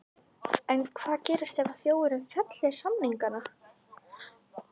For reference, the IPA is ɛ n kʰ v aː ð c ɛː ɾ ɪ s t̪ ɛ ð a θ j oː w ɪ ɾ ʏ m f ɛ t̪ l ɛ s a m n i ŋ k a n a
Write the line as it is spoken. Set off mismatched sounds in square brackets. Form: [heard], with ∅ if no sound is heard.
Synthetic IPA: ɛ n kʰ v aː ð c ɛː ɾ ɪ s t̪ ɛ [v] a θ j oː w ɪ ɾ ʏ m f ɛ t̪ l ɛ s a m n i ŋ k a n a